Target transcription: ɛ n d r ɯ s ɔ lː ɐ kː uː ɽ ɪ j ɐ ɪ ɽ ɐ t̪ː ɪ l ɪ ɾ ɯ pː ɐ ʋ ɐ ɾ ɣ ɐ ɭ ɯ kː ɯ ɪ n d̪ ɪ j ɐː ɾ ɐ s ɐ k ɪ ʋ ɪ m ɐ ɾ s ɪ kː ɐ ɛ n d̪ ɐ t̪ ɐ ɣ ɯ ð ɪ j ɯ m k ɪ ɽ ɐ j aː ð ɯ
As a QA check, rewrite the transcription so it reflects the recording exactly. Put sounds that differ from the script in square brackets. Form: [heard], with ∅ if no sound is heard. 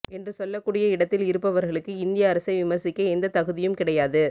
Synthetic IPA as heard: ɛ n d r ɯ s ɔ lː ɐ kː uː ɽ ɪ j ɐ ɪ ɽ ɐ t̪ː ɪ l ɪ ɾ ɯ pː ɐ ʋ ɐ ɾ ɣ ɐ ɭ ɯ kː ɯ ɪ n d̪ ɪ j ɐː ɾ ɐ s ɐ [∅] ɪ ʋ ɪ m ɐ ɾ s ɪ kː ɐ ɛ n d̪ ɐ t̪ ɐ ɣ ɯ ð ɪ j ɯ m k ɪ ɽ ɐ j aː ð ɯ